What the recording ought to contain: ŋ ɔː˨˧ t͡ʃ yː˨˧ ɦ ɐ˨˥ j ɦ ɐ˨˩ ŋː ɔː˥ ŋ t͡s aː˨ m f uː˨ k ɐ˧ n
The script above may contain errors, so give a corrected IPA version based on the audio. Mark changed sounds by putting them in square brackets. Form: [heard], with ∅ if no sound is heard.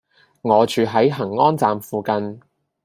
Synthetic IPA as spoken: ŋ ɔː˨˧ t͡ʃ yː˨˧ ɦ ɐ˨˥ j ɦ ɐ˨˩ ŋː ɔː˥ [n] t͡s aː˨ m f uː˨ k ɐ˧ n